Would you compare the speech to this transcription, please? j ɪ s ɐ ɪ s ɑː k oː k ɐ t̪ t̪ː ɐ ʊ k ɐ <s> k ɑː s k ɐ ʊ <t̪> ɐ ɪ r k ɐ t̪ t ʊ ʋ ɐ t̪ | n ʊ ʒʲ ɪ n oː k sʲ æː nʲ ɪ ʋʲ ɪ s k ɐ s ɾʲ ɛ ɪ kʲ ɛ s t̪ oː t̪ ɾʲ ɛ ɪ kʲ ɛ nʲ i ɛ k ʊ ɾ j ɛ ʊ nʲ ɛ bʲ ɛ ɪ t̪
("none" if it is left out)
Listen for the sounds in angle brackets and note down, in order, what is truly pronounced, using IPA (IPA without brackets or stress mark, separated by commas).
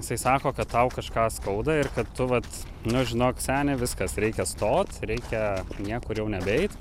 ʃ, d̪